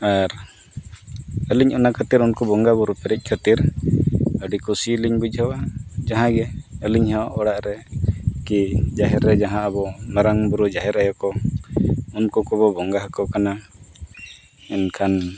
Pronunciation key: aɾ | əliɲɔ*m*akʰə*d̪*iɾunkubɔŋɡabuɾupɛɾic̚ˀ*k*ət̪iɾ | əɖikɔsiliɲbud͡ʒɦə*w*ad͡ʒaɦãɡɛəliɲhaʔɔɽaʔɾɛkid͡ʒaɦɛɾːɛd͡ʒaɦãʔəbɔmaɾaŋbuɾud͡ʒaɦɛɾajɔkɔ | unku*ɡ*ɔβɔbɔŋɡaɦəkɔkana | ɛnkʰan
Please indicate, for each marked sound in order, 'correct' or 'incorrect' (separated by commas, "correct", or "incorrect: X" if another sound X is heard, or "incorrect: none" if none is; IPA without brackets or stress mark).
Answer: incorrect: n, incorrect: t̪, incorrect: kʰ, correct, incorrect: k